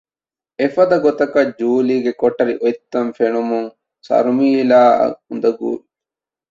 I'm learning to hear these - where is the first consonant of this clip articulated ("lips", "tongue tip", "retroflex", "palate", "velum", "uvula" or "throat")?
lips